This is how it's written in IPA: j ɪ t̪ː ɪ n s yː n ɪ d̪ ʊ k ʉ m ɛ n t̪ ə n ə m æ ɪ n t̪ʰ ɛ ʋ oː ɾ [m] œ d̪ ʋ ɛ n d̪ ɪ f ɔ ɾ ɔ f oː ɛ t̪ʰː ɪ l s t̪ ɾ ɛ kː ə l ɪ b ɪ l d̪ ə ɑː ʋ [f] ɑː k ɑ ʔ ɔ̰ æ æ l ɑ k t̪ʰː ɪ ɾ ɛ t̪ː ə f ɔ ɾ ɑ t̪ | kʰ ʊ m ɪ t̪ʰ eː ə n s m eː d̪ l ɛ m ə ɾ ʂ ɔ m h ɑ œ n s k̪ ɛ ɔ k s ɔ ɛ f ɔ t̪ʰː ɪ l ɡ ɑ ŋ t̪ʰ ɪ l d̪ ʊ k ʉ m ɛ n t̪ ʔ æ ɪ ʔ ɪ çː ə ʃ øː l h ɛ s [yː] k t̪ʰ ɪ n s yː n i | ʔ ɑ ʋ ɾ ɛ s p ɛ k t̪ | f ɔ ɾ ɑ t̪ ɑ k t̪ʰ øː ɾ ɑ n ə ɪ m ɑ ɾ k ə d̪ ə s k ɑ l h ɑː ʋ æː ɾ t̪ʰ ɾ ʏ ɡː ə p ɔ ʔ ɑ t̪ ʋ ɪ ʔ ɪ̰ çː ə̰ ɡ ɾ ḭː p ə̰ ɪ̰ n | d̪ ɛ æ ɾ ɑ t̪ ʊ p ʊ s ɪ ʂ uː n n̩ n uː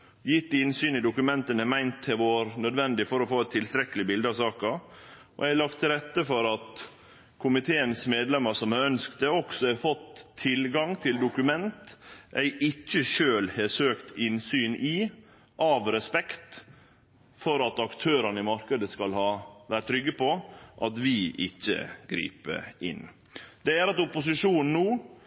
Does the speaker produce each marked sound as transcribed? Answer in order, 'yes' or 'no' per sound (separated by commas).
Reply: no, no, no